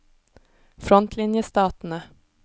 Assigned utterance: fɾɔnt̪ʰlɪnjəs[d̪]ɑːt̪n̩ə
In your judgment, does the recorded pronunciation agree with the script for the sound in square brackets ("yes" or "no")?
no